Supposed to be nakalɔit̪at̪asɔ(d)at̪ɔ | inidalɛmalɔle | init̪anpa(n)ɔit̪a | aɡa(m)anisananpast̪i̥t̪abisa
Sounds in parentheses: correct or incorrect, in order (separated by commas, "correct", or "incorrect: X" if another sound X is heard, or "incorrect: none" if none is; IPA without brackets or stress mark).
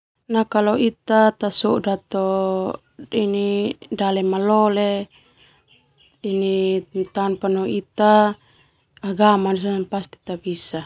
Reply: correct, correct, correct